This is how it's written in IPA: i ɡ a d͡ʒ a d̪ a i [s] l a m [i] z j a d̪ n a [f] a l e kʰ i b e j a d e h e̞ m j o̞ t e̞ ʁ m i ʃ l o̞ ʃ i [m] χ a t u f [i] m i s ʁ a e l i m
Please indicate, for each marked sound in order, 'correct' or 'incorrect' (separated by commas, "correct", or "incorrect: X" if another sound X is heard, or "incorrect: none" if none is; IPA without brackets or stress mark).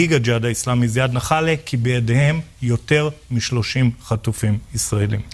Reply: correct, correct, incorrect: χ, correct, correct